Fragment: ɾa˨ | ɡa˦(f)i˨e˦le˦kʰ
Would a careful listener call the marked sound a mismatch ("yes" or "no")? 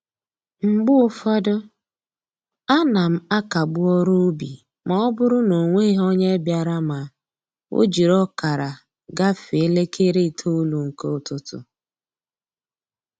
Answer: no